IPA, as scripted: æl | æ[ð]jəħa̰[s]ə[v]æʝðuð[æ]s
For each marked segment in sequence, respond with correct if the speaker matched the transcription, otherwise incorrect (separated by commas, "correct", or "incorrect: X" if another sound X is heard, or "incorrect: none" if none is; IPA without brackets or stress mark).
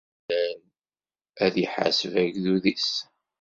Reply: correct, correct, correct, incorrect: i